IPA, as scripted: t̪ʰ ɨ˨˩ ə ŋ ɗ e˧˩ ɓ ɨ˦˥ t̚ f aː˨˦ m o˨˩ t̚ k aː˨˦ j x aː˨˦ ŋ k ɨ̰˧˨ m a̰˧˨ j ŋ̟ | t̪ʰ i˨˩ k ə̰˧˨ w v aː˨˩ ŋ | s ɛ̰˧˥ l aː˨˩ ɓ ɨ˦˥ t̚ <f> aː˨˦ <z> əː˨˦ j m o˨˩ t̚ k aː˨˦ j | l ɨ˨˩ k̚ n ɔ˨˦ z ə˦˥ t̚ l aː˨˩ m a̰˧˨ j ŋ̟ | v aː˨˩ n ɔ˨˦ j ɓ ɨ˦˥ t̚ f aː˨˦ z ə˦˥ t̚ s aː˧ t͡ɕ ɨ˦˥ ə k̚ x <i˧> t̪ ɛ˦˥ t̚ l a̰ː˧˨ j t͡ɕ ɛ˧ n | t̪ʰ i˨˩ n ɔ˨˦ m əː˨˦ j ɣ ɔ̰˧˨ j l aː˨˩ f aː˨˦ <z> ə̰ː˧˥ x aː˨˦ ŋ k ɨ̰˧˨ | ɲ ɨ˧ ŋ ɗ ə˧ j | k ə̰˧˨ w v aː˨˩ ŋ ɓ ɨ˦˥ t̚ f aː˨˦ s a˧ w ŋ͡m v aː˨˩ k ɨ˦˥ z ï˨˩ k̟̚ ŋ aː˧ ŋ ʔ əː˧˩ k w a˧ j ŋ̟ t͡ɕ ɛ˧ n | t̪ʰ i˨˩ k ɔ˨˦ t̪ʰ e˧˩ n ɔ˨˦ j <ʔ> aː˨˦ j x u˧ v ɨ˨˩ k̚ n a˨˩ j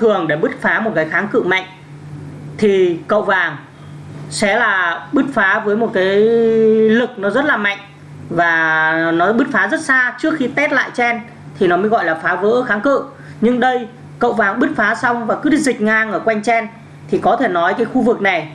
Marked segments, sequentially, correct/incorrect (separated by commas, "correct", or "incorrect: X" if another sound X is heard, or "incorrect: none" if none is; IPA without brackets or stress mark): correct, incorrect: v, correct, incorrect: v, incorrect: k